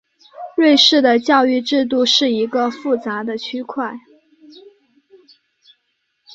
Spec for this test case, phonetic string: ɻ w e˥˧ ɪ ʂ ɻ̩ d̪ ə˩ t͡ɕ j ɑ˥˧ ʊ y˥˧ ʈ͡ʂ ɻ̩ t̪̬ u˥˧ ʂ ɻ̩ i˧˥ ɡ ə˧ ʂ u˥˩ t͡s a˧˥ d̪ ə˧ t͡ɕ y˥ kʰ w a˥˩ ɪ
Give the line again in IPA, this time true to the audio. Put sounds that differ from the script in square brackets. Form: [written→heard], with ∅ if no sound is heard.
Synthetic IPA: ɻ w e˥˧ ɪ ʂ ɻ̩ d̪ ə˩ t͡ɕ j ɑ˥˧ ʊ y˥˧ ʈ͡ʂ ɻ̩ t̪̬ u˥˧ ʂ ɻ̩ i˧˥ ɡ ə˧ [ʂ→f] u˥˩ t͡s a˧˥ d̪ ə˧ [t͡ɕ→t͡ɕʰ] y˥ kʰ w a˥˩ ɪ